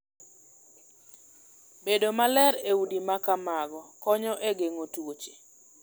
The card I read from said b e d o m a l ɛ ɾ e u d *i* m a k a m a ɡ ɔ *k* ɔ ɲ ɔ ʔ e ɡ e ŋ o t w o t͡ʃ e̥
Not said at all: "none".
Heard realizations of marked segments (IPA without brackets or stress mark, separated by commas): i, k